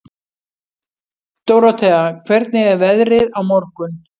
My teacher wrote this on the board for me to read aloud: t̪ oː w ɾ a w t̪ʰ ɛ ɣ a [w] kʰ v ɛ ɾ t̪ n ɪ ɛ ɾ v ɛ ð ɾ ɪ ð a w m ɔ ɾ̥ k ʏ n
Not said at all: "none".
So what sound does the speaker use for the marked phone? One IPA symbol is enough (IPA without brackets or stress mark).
none